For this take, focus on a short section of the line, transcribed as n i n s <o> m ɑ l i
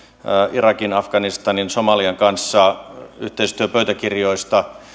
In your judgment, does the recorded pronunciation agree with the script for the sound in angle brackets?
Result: yes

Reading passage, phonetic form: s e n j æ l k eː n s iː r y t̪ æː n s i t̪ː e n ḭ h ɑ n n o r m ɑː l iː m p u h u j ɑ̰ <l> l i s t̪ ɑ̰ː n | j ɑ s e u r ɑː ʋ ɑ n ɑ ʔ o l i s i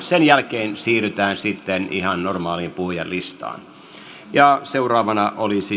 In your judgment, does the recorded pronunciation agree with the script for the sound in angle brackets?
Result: yes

